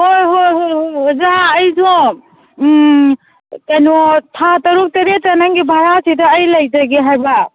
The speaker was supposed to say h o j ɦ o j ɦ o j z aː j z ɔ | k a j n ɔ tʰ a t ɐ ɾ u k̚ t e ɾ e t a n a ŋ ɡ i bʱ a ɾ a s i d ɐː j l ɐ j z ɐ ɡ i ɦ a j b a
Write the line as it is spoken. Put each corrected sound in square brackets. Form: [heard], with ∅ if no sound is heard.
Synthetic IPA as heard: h o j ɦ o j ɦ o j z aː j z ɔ | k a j n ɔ tʰ a t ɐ ɾ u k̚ t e ɾ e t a n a ŋ ɡ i bʱ a ɾ a s i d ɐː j l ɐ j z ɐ ɡ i ɦ a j b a